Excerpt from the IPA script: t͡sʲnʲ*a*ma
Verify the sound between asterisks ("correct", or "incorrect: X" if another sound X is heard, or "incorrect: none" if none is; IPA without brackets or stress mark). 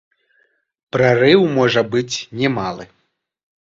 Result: incorrect: ɛ